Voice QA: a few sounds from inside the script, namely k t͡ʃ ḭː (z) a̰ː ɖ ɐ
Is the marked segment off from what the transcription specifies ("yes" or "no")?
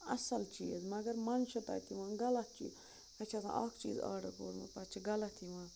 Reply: no